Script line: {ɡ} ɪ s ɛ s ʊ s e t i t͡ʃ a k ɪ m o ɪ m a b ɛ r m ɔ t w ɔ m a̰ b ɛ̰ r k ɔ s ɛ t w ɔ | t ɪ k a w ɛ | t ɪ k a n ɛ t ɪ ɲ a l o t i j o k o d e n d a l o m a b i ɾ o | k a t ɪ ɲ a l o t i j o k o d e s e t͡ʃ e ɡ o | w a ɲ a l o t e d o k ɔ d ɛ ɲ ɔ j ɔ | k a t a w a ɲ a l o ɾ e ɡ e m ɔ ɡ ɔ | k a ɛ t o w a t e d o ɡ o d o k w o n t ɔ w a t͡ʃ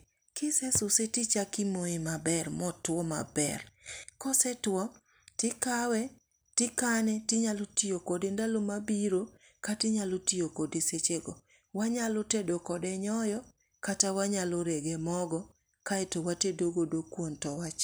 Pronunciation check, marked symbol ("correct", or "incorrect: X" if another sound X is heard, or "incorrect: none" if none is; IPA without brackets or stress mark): incorrect: k